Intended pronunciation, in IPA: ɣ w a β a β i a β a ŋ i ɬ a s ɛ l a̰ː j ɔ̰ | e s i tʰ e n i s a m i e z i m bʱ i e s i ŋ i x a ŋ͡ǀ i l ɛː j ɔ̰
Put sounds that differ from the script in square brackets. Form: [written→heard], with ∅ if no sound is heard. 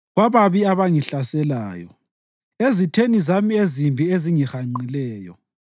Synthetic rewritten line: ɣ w a β a β i a β a ŋ i ɬ a s ɛ l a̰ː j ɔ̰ | e [s→z] i tʰ e n i [s→z] a m i e z i m bʱ i e [s→z] i ŋ i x a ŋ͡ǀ i l ɛː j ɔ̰